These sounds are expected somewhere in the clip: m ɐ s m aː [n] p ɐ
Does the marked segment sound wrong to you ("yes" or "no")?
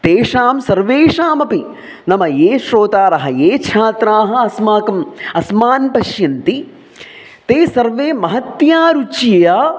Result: no